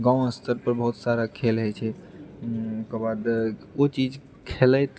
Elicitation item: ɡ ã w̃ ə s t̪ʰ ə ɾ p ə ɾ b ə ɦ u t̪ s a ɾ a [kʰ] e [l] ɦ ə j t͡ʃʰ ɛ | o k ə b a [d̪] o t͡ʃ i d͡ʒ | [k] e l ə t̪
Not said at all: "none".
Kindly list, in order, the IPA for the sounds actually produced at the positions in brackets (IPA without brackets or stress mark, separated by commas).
kʰ, l, d̪, kʰ